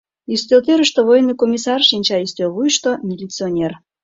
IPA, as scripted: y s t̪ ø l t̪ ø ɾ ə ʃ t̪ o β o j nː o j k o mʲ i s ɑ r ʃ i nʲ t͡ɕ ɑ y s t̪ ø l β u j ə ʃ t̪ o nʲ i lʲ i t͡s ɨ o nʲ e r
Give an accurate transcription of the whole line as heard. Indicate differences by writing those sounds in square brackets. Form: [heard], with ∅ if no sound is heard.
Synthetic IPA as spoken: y s t̪ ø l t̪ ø ɾ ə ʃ t̪ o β o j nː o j k o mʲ i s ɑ r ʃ i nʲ t͡ɕ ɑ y s t̪ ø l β u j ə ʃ t̪ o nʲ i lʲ i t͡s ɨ o nʲ e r